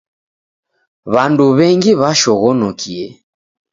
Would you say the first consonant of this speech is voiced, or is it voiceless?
voiced